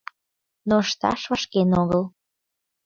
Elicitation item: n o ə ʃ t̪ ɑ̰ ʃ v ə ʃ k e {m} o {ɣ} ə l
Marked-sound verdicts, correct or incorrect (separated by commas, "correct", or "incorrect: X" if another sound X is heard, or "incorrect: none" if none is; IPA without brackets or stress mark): incorrect: n, correct